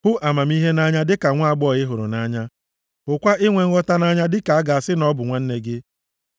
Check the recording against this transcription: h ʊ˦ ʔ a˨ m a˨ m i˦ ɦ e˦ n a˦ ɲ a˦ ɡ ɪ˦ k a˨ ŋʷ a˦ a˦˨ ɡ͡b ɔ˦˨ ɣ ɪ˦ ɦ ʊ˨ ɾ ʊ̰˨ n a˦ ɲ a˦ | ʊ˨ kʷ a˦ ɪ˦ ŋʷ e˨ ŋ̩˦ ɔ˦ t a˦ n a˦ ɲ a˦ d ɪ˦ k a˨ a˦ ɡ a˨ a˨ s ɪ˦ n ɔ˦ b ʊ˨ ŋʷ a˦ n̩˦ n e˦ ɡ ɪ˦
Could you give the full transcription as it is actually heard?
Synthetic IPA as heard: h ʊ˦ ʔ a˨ m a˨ m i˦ ɦ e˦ n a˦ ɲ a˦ d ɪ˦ k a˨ ŋʷ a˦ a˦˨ ɡ͡b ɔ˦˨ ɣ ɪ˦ ɦ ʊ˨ ɾ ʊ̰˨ n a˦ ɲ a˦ | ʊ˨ kʷ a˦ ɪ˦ ŋʷ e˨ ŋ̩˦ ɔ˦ t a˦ n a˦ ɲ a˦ d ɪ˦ k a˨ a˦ ɡ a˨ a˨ s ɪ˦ n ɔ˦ b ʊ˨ ŋʷ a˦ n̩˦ n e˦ ɡ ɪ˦